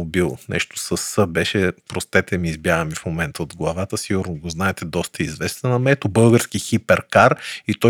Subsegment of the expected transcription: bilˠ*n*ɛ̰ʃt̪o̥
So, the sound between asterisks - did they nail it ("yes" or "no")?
yes